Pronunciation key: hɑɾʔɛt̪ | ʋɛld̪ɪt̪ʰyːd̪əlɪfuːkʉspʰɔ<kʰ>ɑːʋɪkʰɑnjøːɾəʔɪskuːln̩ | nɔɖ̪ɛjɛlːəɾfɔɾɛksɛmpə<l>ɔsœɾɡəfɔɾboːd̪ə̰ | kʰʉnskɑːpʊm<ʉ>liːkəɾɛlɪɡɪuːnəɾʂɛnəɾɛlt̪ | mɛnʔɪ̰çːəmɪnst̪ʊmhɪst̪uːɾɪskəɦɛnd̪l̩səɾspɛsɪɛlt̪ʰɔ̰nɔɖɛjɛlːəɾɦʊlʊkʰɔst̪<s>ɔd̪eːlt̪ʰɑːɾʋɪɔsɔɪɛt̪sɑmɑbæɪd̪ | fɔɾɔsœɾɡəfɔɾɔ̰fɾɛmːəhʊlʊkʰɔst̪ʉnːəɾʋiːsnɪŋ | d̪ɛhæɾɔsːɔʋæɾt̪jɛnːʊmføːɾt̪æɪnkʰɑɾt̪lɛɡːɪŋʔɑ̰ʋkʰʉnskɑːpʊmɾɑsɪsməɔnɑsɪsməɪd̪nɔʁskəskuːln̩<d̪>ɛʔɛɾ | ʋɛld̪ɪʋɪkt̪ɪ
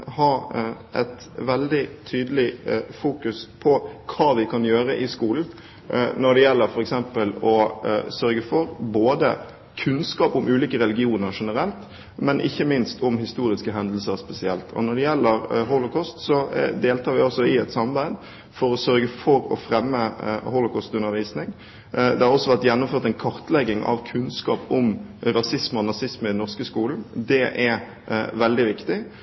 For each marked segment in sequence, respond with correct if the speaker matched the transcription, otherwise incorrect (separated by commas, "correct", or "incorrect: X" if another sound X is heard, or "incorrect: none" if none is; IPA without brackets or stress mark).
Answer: correct, correct, incorrect: ʉː, correct, correct